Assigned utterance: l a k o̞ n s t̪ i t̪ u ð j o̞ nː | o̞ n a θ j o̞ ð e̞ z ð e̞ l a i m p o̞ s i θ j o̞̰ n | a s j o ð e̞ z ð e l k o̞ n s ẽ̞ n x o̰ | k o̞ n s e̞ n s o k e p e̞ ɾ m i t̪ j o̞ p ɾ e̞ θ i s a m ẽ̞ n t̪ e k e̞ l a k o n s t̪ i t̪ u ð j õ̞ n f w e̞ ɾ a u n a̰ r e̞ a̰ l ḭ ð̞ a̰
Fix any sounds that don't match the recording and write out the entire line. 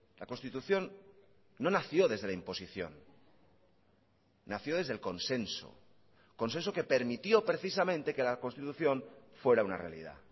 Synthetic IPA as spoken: l a k o̞ n s t̪ i t̪ u θ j o̞ nː | o̞ n a θ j o̞ ð e̞ z ð e̞ l a i m p o̞ s i θ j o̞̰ n | a θ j o ð e̞ z ð e l k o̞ n s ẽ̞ n s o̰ | k o̞ n s e̞ n s o k e p e̞ ɾ m i t̪ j o̞ p ɾ e̞ θ i s a m ẽ̞ n t̪ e k e̞ l a k o n s t̪ i t̪ u θ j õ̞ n f w e̞ ɾ a u n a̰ r e̞ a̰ l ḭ ð̞ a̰